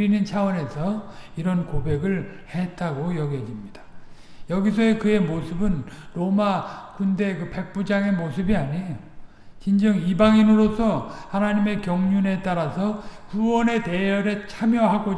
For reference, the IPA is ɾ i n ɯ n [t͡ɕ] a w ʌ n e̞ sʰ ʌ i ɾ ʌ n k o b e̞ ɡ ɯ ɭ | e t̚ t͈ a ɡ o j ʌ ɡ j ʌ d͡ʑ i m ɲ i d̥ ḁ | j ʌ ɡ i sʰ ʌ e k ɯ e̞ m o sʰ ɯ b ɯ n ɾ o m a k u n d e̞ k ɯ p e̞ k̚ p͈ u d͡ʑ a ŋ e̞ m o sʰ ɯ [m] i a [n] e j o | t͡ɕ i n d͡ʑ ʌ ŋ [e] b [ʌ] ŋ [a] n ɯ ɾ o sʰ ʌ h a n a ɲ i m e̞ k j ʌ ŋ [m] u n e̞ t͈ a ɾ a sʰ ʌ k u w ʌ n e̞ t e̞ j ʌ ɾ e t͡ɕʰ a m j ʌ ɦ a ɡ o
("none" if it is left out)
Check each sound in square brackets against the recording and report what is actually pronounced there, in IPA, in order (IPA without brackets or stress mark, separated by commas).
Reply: t͡ɕʰ, b, ɲ, i, a, i, ɲ